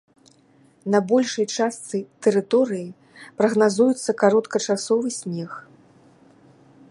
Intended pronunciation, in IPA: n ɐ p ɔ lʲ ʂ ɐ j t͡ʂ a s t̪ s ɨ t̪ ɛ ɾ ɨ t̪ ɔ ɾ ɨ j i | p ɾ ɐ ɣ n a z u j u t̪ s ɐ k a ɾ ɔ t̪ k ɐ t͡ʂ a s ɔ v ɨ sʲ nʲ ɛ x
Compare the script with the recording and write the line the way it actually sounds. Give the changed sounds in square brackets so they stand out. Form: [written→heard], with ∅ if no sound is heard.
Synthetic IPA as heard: n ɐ [p→b] ɔ lʲ ʂ ɐ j t͡ʂ a s t̪ s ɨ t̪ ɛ ɾ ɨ t̪ ɔ ɾ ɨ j i | p ɾ ɐ ɣ n a z u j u t̪ [s→sː] ɐ k a ɾ ɔ t̪ k ɐ t͡ʂ a s ɔ v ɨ sʲ nʲ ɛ x